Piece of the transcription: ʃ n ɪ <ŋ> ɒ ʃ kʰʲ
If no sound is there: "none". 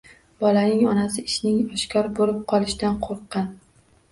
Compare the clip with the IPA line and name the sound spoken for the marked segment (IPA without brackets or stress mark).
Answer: ŋ